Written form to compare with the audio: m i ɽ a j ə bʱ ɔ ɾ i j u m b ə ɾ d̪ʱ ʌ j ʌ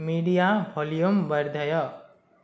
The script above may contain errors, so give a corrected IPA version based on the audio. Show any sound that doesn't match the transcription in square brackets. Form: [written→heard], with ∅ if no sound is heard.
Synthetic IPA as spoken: m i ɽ [a→i] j [ə→a] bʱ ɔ [ɾ→l] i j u m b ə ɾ d̪ʱ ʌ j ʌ